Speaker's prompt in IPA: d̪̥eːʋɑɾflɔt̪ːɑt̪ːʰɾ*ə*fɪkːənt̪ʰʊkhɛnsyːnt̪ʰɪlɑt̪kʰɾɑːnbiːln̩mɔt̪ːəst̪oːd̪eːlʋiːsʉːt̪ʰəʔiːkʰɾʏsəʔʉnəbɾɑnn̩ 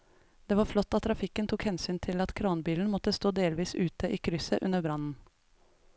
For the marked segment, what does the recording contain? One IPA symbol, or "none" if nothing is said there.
ɑ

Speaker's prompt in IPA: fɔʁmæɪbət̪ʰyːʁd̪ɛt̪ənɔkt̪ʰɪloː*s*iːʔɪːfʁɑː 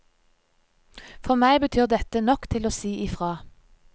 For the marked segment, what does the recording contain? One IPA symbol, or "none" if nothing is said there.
s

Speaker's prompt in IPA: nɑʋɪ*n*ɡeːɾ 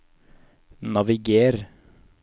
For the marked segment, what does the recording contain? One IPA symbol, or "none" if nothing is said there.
none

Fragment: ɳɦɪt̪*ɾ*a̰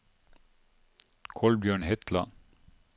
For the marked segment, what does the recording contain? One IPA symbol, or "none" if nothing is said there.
l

